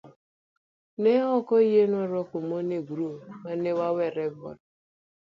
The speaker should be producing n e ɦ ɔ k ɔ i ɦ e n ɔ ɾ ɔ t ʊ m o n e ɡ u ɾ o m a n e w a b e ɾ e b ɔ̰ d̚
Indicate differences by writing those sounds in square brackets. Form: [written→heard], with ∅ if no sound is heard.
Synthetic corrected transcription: n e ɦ ɔ k ɔ i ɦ e n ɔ ɾ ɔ [t→k] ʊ m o n e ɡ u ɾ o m a n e w a [b→w] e ɾ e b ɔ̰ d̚